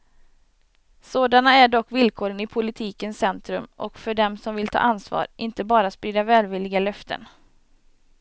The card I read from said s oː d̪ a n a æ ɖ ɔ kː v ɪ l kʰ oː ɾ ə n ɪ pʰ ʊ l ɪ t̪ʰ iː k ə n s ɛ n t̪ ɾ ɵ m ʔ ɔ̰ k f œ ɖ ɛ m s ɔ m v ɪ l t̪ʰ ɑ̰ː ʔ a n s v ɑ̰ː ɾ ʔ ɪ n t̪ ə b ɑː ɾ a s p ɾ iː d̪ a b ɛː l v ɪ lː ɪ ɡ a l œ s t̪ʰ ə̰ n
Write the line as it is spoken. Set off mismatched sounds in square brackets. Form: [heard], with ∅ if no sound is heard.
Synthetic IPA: s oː d̪ a n a æ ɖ ɔ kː v ɪ l kʰ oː ɾ ə n ɪ pʰ ʊ l ɪ t̪ʰ iː k ə n s ɛ n t̪ ɾ ɵ m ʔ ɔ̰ k f œ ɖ ɛ m s ɔ m v ɪ l t̪ʰ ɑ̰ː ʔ a n s v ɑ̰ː ɾ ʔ ɪ n t̪ ə b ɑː ɾ a s p ɾ iː d̪ a [v] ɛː l v ɪ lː ɪ ɡ a l œ [f] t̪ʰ ə̰ n